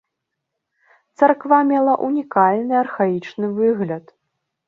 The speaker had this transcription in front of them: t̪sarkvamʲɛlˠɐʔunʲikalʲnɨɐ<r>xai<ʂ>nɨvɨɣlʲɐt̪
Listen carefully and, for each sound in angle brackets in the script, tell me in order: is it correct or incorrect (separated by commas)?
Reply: correct, incorrect